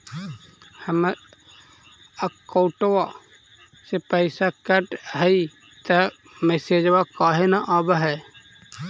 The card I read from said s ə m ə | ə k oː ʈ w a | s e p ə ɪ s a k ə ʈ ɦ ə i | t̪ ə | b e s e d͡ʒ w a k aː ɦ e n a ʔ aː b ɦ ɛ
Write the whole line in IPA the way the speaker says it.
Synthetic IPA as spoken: h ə m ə | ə k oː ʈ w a | s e p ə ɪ s a k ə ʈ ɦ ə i | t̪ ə | m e s e d͡ʒ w a k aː ɦ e n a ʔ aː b ɦ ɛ